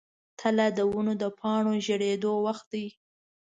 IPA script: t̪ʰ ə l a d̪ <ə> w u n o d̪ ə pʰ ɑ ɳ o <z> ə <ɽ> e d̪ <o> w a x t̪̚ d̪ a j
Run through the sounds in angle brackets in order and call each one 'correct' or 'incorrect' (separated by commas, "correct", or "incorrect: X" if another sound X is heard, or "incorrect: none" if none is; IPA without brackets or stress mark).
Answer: correct, incorrect: ʒ, correct, correct